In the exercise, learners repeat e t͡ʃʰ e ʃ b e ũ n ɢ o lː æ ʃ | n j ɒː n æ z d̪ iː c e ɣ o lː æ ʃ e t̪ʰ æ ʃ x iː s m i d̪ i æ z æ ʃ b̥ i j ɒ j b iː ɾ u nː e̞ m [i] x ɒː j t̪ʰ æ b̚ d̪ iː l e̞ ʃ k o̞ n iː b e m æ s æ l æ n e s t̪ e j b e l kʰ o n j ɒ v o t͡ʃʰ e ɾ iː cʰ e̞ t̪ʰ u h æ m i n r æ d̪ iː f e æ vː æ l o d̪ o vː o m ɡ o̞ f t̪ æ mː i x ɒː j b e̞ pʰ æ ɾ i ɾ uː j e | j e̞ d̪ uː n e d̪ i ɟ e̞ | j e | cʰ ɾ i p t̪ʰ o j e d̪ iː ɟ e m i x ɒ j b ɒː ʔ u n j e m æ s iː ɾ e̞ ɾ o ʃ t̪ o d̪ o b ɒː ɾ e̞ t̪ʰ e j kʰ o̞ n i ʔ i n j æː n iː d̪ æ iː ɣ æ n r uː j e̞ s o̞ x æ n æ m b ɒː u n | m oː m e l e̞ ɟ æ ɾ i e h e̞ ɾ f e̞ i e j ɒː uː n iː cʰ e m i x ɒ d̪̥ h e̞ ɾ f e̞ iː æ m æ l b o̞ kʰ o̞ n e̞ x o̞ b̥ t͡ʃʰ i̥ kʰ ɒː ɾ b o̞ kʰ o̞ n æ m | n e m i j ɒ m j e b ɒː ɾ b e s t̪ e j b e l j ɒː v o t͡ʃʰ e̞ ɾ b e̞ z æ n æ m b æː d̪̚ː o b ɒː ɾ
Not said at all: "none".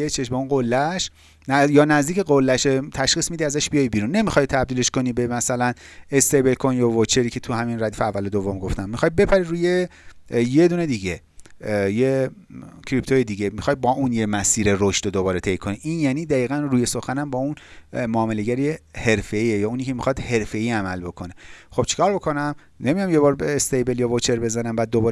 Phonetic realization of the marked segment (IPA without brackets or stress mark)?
i